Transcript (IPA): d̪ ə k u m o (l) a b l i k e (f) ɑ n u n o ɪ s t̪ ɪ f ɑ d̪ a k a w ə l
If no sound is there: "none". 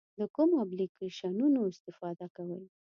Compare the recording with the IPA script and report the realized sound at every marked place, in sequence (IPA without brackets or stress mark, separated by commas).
none, ʃ